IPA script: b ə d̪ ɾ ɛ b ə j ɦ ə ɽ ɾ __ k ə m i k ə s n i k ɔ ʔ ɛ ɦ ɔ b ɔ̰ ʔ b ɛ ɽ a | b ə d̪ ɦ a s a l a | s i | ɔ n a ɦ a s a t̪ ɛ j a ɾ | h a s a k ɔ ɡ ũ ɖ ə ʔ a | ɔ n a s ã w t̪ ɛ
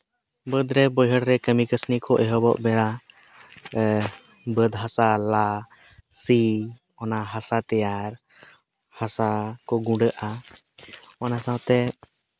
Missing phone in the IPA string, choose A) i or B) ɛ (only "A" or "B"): B